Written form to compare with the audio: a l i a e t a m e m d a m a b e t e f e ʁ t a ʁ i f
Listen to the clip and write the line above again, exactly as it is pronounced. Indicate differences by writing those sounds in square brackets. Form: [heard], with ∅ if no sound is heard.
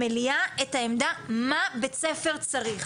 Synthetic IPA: [e] l i a e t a [∅] e m d a m a b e [t͡s] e f e ʁ [t͡s] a ʁ i [χ]